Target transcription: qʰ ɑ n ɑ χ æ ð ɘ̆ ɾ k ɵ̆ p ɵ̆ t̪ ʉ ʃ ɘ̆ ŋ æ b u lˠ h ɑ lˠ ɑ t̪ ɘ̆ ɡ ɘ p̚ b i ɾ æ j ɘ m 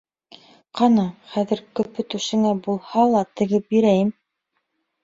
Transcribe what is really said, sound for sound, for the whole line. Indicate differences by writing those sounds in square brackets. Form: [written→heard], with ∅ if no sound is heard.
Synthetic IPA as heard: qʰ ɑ n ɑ χ æ ð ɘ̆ ɾ k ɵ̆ p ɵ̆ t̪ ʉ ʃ ɘ̆ ŋ æ b u lˠ h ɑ lˠ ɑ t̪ ɘ̆ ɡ ɘ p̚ b i ɾ æ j ɘ m